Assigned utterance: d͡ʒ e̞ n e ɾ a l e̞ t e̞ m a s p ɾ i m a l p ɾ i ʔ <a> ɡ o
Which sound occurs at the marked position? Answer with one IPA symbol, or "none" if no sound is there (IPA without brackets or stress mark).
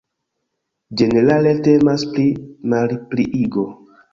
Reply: i